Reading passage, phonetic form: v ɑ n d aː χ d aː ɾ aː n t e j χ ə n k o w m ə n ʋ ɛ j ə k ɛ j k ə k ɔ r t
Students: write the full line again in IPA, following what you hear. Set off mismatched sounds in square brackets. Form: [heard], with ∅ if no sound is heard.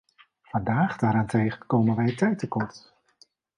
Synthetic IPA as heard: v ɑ n d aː χ d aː ɾ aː n t e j χ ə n k o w m ə n ʋ ɛ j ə [t] ɛ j [t] ə k ɔ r t

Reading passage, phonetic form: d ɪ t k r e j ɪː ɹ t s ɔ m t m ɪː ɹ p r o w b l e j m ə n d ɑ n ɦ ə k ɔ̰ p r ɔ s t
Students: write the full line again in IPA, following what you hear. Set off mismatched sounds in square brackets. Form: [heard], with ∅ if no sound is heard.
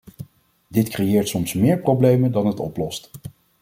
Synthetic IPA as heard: d ɪ t k r e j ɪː ɹ t s ɔ m [s] m ɪː ɹ p r o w b l e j m ə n d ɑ n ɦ ə [t] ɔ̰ p [l] ɔ s t

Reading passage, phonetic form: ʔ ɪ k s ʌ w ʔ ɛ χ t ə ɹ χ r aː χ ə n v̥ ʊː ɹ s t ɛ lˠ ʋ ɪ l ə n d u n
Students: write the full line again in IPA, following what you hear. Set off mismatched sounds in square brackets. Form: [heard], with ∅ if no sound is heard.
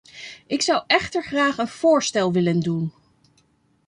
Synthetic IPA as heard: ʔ ɪ k s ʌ w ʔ ɛ χ t ə ɹ χ r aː χ ə n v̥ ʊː ɹ s t ɛ lˠ ʋ ɪ l ə n d u n

